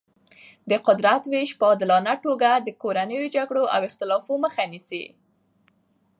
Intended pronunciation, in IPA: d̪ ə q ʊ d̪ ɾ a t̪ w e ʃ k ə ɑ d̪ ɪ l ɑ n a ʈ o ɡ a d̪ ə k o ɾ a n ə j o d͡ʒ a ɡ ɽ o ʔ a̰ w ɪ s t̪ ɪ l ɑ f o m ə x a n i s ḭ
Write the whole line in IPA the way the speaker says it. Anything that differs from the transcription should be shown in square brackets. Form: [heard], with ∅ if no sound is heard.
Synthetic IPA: d̪ ə q ʊ d̪ ɾ a t̪ w e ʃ [p] ə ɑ d̪ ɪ l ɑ n a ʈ o ɡ a d̪ ə k o ɾ a n ə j o d͡ʒ a ɡ ɽ o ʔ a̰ w ɪ [x] t̪ ɪ l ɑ f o m ə x a n i s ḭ